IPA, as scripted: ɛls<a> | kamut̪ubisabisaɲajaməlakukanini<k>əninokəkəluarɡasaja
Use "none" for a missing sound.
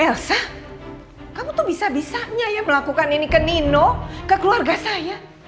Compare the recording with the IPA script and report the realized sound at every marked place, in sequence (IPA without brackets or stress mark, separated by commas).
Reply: a, k